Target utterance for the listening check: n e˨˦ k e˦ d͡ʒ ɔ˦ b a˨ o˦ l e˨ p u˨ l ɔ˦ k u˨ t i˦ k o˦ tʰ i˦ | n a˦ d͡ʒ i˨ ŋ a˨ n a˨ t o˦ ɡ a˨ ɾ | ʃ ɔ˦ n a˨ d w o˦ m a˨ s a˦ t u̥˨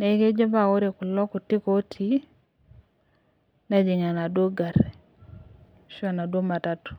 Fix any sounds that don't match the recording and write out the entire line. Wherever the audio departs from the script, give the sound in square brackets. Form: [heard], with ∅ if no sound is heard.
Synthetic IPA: n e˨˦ k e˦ d͡ʒ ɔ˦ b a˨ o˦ [ɾ] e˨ [k] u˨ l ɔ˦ k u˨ t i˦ k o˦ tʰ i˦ | n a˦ d͡ʒ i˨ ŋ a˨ n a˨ [d] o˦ ɡ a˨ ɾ | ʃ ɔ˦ n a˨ d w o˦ m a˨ [t] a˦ t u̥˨

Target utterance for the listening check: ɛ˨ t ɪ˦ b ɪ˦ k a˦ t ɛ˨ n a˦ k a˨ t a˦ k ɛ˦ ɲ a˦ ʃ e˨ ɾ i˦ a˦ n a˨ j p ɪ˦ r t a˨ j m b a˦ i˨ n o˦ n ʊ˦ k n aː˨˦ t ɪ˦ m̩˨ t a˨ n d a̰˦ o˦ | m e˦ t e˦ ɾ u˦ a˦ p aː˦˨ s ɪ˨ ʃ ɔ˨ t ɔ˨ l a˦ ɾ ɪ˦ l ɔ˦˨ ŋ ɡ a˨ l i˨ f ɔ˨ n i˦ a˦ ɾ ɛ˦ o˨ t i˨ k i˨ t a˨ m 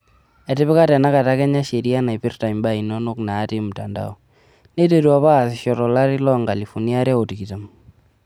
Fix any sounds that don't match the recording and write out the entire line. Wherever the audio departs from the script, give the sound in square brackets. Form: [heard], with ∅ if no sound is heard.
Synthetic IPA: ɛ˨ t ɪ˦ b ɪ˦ k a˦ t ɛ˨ n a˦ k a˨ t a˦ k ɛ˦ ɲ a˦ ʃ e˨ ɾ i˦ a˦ n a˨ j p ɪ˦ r t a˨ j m b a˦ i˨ n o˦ n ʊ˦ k n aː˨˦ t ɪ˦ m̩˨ t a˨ n d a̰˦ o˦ | [n] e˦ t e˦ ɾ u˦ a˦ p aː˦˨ s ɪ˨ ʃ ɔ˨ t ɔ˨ l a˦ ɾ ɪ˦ l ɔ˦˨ ŋ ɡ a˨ l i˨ f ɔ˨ n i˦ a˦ ɾ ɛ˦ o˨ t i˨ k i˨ t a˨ m

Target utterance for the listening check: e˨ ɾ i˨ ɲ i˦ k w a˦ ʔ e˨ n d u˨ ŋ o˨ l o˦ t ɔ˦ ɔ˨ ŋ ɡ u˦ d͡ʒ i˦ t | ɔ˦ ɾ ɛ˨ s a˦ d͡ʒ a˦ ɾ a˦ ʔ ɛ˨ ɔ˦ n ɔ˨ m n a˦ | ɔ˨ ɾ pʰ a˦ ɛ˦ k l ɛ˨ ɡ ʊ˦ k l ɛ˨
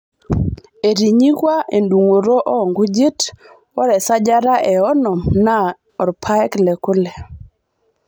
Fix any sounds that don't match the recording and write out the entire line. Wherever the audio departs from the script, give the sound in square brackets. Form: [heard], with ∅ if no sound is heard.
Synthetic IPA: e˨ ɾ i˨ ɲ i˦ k w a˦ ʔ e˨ n d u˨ ŋ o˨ [ɾ] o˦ [ʔ] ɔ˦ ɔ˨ ŋ ɡ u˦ d͡ʒ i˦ t | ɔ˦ ɾ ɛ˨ s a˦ d͡ʒ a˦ ɾ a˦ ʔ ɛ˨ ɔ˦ n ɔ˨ m n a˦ | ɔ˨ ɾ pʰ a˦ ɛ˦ k l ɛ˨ [k] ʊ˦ [∅] l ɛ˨

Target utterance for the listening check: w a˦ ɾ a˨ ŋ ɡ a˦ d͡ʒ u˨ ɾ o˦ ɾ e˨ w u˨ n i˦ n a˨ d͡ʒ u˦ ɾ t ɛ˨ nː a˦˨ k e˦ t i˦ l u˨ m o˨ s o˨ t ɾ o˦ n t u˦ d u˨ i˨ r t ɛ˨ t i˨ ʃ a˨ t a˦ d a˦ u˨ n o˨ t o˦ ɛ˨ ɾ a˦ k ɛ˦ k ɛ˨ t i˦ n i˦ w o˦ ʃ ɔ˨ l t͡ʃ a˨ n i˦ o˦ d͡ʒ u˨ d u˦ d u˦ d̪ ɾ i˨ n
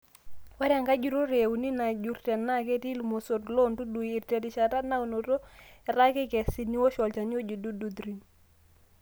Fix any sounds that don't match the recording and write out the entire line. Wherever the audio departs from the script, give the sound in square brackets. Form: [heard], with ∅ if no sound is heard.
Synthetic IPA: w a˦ ɾ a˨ ŋ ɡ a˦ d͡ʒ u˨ ɾ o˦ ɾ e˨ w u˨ n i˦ n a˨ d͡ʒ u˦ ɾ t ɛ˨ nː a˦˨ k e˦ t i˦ l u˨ m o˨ s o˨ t [l] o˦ n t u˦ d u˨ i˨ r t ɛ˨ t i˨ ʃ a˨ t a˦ [n] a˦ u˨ n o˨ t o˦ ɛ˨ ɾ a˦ k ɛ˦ k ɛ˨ [s] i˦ n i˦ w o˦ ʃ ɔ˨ l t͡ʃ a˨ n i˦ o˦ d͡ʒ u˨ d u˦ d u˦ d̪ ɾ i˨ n

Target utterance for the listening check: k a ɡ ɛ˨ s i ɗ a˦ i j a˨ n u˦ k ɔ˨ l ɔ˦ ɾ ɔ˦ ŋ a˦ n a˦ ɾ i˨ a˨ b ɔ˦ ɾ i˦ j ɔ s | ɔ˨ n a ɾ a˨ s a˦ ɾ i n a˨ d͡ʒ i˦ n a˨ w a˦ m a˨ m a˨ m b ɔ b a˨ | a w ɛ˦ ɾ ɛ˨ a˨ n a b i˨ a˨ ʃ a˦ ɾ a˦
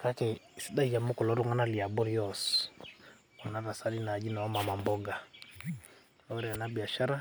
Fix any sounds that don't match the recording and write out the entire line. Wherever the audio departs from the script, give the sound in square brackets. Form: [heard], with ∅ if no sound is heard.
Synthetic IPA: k a [k] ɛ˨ s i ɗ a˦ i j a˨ [m] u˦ k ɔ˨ l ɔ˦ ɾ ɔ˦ ŋ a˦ n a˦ [l] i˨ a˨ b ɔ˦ ɾ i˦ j ɔ s | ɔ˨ n a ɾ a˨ s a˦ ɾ i n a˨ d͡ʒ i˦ n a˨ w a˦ m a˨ m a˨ m b ɔ [ɡ] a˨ | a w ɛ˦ ɾ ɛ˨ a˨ n a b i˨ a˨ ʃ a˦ ɾ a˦

